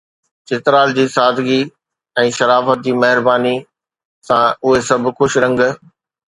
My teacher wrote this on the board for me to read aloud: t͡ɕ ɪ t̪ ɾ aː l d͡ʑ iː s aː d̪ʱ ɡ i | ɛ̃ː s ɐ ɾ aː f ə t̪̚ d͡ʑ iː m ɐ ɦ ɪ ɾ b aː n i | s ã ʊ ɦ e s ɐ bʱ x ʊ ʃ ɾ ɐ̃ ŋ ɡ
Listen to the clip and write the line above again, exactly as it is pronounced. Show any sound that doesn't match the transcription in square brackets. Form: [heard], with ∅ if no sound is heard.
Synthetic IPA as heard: t͡ɕ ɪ t̪ ɾ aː l d͡ʑ iː s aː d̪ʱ ɡ i | ɛ̃ː [ʃ] ɐ ɾ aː f ə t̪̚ d͡ʑ iː m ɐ ɦ ɪ ɾ b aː n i | s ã ʊ ɦ e s ɐ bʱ x ʊ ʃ ɾ ɐ̃ ŋ ɡ